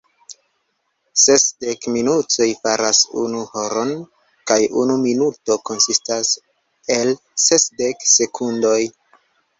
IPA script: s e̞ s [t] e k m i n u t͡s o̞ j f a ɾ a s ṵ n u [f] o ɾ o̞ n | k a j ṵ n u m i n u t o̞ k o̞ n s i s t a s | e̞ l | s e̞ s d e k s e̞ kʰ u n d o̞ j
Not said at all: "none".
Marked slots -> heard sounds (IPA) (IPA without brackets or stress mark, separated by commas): d, h